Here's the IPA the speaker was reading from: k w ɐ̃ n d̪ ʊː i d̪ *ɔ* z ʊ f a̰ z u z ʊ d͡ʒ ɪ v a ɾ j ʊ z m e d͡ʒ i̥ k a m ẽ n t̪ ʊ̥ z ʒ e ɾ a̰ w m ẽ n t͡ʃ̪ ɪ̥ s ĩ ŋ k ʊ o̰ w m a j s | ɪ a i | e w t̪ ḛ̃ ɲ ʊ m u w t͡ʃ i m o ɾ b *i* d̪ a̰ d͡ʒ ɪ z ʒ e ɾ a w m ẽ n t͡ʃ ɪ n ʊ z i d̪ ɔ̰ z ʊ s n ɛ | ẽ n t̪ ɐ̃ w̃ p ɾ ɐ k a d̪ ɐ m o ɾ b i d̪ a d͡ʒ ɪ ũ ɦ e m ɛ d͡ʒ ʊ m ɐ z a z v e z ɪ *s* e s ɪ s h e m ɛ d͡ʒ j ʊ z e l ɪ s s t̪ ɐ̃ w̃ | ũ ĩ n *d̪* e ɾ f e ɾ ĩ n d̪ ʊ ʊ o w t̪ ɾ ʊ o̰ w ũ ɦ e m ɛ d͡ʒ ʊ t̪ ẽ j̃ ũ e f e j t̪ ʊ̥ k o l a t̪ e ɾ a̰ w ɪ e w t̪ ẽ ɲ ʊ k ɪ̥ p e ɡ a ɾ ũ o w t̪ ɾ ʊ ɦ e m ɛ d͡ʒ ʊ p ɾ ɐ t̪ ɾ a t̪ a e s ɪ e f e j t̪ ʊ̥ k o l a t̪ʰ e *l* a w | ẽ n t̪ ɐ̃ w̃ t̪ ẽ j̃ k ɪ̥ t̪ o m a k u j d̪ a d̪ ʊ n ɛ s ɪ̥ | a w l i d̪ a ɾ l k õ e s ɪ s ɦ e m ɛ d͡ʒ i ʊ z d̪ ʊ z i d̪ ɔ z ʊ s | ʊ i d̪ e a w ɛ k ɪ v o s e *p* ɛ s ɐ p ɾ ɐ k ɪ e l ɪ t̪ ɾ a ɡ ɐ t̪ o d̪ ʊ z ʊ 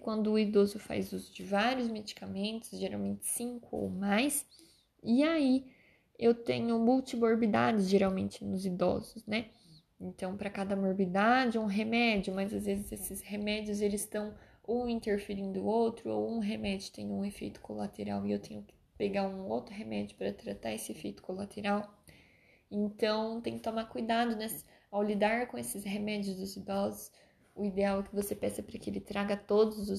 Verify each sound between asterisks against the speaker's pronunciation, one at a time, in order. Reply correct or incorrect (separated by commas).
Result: incorrect, correct, incorrect, incorrect, incorrect, correct